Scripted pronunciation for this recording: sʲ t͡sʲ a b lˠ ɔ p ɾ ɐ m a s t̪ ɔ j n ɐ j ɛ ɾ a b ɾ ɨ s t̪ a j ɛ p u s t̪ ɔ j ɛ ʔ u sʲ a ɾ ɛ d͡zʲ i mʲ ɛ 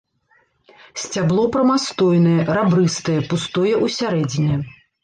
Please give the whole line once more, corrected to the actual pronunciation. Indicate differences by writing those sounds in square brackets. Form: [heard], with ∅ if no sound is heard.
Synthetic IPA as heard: sʲ t͡sʲ a b lˠ ɔ p ɾ ɐ m a s t̪ ɔ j n ɐ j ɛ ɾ a b ɾ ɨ s t̪ [ɐ] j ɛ p u s t̪ ɔ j ɛ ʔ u sʲ a ɾ ɛ d͡zʲ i [nʲ] ɛ